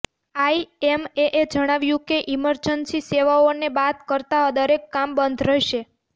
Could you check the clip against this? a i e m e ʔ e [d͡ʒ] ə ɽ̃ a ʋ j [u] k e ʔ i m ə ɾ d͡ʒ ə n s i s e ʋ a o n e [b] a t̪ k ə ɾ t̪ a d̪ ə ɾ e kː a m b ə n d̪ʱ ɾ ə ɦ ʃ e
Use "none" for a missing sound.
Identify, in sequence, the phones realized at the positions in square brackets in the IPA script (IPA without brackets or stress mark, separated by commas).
d͡ʒ, ũ, b